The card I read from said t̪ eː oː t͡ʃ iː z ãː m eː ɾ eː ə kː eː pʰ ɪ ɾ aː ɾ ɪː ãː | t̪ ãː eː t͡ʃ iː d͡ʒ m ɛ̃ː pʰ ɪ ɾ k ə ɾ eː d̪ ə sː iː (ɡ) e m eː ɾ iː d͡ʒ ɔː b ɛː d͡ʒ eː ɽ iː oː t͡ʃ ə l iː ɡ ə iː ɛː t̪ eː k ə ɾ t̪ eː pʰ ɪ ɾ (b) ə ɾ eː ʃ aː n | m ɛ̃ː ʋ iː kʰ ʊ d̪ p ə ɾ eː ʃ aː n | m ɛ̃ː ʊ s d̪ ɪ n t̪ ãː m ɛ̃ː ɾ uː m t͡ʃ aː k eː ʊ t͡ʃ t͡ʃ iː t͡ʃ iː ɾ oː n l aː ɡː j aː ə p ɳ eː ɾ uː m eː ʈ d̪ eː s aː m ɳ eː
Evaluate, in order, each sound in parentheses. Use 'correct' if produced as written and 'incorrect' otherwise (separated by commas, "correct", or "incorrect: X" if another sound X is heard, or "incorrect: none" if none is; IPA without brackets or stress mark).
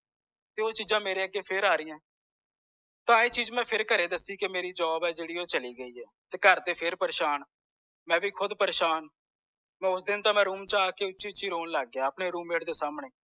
incorrect: k, incorrect: p